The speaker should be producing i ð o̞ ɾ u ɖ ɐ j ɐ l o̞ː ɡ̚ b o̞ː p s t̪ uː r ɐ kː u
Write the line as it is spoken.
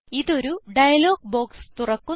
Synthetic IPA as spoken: i ð o̞ ɾ u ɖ ɐ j ɐ l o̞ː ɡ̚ b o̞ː k s t̪ u r ɐ kː u

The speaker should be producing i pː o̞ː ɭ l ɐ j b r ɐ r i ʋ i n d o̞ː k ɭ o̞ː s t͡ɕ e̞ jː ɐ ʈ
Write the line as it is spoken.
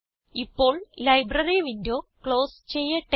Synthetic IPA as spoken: i pː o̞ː ɭ l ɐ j b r ɐ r i ʋ i n d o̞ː k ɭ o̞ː s t͡ɕ e̞ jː ɐ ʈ

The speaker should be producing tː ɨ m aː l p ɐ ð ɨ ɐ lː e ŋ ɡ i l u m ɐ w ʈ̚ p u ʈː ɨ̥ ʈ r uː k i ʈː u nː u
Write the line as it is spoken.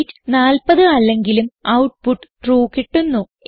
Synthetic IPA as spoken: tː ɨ n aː l p ɐ ð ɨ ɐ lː e ŋ ɡ i l u m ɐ w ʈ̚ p u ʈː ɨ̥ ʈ r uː k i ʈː u nː u

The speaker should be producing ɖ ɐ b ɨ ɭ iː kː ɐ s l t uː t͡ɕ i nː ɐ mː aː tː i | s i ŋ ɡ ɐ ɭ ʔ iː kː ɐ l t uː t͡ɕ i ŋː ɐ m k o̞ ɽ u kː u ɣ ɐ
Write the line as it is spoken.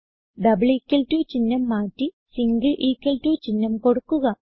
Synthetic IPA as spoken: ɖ ɐ b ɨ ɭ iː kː ɐ l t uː t͡ɕ i nː ɐ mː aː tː i | s i ŋ ɡ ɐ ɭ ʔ iː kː ɐ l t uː t͡ɕ i nː ɐ m k o̞ ɽ u kː u ɣ ɐ

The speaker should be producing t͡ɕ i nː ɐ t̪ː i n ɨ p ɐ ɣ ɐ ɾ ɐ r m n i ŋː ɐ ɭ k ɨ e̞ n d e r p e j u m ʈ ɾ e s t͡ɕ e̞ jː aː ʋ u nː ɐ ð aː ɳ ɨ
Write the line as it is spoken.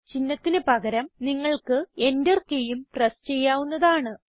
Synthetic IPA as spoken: t͡ɕ i nː ɐ t̪ː i n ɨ p ɐ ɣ ɐ ɾ ɐ m n i ŋː ɐ ɭ k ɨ e̞ n d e r k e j u m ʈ r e s t͡ɕ e̞ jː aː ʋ u nː ɐ ð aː ɳ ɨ

